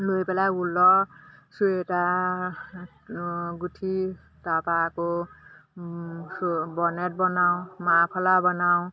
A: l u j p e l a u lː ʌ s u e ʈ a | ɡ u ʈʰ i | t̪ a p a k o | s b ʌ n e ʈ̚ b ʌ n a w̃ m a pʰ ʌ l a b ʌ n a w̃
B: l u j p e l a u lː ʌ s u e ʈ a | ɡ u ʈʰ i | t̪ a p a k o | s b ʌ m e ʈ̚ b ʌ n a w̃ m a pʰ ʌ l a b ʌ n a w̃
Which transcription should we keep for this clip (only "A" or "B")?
A